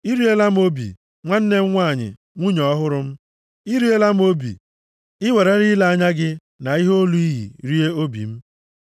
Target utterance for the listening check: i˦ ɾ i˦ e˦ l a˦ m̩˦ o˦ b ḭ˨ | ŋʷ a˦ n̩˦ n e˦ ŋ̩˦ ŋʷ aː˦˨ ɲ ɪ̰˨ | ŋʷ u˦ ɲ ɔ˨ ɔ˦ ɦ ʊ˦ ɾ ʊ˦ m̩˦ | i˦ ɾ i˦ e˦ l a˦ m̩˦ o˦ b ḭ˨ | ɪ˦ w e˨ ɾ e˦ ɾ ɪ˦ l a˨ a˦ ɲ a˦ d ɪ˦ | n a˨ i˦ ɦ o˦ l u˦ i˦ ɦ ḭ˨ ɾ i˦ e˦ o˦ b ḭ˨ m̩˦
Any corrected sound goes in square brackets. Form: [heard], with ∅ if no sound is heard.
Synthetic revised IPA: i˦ ɾ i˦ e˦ l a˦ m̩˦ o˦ b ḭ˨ | ŋʷ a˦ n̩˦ n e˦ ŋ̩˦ ŋʷ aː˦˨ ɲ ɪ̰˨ | ŋʷ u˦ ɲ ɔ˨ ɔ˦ ɦ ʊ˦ ɾ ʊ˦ m̩˦ | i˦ ɾ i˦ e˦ l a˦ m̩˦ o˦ b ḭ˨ | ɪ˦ w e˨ ɾ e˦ ɾ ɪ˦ l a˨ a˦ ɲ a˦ [ɡ] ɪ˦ | n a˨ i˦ ɦ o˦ l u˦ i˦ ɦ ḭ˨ ɾ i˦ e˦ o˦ b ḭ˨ m̩˦